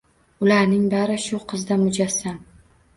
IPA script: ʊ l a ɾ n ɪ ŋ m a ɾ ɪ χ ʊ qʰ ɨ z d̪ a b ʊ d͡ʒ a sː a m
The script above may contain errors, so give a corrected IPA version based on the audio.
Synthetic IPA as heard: ʊ l a ɾ n ɪ ŋ b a ɾ ɪ ʃ ʊ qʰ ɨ z d̪ a m ʊ d͡ʒ a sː a m